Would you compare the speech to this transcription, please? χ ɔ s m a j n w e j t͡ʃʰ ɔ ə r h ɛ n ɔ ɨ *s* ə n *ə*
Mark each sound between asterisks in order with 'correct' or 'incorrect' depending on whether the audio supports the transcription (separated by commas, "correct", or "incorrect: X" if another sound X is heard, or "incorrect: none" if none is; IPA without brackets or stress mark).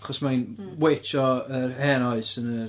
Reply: correct, correct